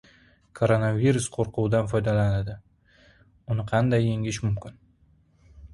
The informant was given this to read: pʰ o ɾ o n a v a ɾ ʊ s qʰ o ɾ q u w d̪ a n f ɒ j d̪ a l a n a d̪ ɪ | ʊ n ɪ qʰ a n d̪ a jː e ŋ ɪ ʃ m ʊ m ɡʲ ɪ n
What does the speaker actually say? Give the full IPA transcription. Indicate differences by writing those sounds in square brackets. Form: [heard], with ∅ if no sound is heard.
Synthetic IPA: [kʰ] o ɾ o n a v [i] ɾ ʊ s qʰ o ɾ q u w d̪ a n f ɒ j d̪ a l a n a d̪ ɪ | ʊ n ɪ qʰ [ɑ] n d̪ a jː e ŋ ɪ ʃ m ʊ m [kʲ] ɪ n